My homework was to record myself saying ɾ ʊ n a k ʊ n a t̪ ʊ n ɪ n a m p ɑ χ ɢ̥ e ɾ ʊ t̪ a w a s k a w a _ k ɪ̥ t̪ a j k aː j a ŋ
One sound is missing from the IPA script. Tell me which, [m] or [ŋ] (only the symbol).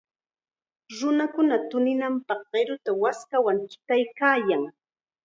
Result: ŋ